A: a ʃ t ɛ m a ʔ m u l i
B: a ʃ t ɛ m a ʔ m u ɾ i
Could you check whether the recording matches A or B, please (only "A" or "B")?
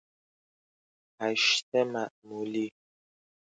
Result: A